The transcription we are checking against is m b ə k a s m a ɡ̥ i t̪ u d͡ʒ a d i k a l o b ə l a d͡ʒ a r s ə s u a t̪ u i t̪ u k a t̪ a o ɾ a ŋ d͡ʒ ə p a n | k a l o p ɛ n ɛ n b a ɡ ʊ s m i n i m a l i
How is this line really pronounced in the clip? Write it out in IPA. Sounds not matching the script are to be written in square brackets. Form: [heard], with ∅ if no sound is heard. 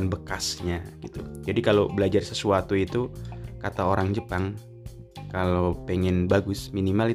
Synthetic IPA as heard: [n] b ə k a s [ɲ] a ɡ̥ i t̪ u d͡ʒ a d i k a l o b ə l a d͡ʒ a r s ə s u a t̪ u i t̪ u k a t̪ a o ɾ a ŋ d͡ʒ ə p a [ŋ] | k a l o p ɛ [ŋ] ɛ n b a ɡ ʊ s m i n i m a l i